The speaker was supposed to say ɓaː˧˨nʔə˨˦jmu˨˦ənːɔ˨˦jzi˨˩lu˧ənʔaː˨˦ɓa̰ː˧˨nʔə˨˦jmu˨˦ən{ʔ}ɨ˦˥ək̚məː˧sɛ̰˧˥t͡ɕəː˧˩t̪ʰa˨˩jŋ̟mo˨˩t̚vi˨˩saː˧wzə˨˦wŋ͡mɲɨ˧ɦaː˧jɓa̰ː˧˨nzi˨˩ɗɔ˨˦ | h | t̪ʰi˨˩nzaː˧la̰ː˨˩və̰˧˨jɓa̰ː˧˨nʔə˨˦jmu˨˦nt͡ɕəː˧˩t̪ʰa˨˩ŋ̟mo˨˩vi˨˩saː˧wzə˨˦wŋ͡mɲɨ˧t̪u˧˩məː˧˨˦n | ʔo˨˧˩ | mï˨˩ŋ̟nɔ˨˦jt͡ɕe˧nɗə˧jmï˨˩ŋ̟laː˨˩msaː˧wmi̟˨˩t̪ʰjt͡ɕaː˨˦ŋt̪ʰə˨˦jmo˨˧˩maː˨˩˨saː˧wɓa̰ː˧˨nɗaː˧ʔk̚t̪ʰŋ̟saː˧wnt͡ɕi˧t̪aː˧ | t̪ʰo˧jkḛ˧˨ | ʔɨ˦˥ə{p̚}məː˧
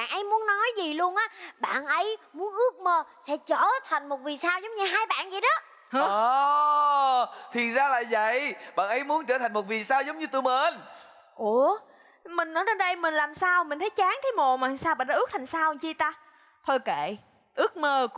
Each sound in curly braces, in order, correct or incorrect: correct, incorrect: k̚

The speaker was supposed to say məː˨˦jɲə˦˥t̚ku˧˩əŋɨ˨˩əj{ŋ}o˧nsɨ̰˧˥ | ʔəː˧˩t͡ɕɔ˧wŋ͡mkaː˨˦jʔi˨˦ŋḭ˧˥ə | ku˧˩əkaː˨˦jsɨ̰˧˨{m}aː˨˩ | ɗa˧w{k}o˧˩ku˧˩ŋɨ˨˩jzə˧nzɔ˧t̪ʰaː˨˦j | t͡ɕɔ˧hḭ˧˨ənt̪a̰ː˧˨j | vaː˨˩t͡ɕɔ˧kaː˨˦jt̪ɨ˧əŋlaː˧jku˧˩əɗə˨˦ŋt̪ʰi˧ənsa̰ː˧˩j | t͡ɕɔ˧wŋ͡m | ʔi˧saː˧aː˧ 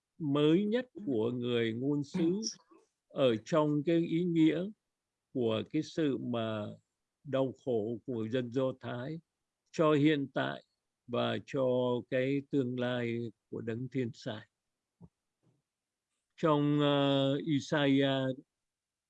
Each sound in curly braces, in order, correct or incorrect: correct, correct, incorrect: x

